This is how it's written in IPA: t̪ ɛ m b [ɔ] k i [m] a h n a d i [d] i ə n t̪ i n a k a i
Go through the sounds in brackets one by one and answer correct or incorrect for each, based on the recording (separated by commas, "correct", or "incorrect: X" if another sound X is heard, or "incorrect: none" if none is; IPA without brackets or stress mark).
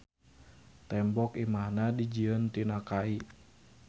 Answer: correct, correct, incorrect: d͡ʒ